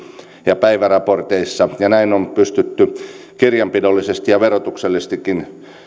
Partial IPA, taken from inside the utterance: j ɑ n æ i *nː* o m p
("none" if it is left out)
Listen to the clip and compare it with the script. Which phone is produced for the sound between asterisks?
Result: n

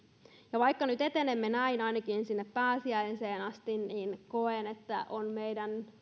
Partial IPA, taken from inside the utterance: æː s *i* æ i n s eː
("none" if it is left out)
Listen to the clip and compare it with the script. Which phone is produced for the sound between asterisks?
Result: i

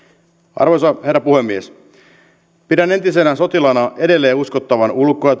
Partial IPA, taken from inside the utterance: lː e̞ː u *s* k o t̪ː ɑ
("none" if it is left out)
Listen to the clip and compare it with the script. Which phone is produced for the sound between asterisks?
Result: s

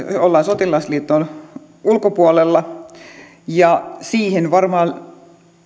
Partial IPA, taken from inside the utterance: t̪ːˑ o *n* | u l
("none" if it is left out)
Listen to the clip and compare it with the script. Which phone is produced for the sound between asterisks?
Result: n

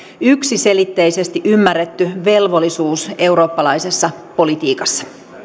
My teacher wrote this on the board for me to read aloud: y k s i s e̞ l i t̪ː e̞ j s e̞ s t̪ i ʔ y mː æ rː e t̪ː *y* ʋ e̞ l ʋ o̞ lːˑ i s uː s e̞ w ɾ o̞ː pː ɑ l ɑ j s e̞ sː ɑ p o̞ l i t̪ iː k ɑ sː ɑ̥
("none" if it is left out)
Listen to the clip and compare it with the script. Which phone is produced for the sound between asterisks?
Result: y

